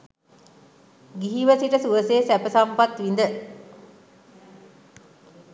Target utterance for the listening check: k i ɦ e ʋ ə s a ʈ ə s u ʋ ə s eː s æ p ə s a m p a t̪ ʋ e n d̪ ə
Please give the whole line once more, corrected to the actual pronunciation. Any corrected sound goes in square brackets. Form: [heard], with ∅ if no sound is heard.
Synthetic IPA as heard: [ɡ] i ɦ [i] ʋ ə s [i] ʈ ə s u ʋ ə s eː s æ p ə s a m p a t̪ ʋ [i] n d̪ ə